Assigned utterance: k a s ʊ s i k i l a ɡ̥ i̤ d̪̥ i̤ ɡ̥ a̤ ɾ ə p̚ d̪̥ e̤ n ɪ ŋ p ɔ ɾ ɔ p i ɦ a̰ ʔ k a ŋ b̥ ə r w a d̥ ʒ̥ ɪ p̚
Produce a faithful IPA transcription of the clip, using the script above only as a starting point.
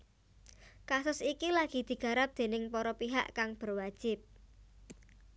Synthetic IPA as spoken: k a s ʊ s i k i l a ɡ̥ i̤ d̪̥ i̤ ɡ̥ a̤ ɾ a p̚ d̪̥ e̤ n ɪ ŋ p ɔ ɾ ɔ p i ɦ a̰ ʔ k a ŋ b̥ ə r w a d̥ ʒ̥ ɪ p̚